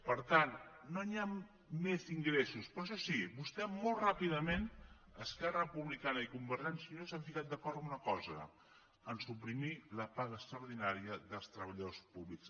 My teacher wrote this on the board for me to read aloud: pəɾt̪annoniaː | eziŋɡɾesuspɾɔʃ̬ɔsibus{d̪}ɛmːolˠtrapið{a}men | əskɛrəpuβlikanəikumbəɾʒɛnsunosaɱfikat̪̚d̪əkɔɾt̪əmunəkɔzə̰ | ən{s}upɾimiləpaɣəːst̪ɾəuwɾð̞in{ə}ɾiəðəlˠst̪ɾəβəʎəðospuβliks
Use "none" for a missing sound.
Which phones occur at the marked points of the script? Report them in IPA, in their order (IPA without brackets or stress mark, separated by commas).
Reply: t̪, ə, s, a